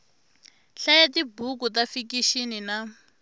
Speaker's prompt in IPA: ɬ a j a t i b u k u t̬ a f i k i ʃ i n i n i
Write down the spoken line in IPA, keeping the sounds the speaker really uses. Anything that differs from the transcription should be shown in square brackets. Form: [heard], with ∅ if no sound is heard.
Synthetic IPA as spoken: ɬ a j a t i b u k u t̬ a f i k i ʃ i n i n [a]